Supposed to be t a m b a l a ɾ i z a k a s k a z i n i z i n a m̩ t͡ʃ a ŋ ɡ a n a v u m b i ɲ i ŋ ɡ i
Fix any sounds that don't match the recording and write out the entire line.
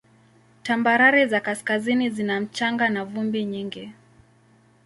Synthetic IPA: t a m b a ɾ a ɾ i z a k a s k a z i n i z i n a m̩ t͡ʃ a ŋ ɡ a n a v u m b i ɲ i ŋ ɡ i